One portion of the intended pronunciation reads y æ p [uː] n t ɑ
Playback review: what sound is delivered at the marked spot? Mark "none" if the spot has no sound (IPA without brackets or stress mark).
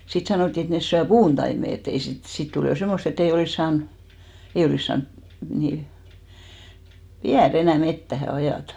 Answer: uː